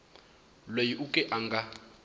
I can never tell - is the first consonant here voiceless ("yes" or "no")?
no